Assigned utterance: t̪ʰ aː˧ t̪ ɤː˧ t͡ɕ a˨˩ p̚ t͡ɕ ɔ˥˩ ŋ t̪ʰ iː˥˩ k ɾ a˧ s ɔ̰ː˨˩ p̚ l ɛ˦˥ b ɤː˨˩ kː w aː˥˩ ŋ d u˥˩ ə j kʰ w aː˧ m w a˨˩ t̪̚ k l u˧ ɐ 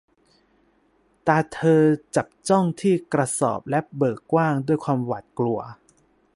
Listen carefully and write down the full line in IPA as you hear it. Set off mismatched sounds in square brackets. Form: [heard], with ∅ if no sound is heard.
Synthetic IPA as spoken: [t̪] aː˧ [t̪ʰ] ɤː˧ t͡ɕ a˨˩ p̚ t͡ɕ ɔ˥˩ ŋ t̪ʰ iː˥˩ k ɾ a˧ s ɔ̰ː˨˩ p̚ l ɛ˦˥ b ɤː˨˩ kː w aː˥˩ ŋ d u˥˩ ə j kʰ w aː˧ m w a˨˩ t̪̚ k l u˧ ɐ